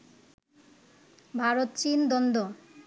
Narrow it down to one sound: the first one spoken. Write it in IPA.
bʱ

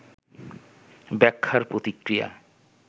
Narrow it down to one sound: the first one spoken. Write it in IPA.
b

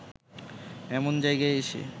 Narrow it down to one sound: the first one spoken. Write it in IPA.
ɛ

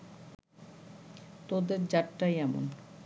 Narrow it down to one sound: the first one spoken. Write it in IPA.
t̪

